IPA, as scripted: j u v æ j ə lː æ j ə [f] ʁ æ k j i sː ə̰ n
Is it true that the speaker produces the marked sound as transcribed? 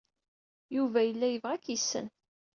no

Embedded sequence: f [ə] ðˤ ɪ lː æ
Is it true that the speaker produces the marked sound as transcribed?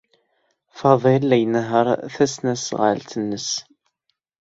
no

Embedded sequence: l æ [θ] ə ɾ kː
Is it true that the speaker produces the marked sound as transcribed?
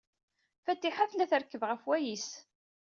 yes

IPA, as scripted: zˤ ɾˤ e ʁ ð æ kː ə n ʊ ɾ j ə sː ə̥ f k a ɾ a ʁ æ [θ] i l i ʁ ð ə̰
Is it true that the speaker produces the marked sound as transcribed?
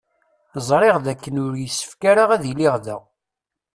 no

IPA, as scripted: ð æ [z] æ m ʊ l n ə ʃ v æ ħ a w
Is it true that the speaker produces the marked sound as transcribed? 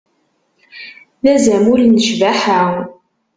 yes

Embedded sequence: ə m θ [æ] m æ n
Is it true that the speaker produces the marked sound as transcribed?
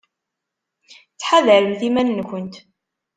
no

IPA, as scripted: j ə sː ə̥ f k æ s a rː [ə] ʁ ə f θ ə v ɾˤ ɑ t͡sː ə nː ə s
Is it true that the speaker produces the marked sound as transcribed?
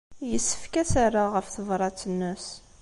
no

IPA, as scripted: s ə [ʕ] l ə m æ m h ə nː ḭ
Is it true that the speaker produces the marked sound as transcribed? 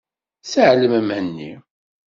yes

